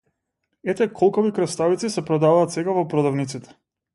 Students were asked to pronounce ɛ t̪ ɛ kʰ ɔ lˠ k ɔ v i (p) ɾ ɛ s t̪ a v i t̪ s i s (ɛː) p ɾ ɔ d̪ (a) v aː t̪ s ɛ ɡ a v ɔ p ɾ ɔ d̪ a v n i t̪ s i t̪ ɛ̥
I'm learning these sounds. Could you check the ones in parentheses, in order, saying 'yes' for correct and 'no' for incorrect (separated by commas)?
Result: no, no, yes